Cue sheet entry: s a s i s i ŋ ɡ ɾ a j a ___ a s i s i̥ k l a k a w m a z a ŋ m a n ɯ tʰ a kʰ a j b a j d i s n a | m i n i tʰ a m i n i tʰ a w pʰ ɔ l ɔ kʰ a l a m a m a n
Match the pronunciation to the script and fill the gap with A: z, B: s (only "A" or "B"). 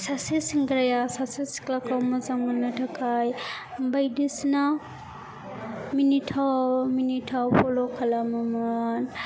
B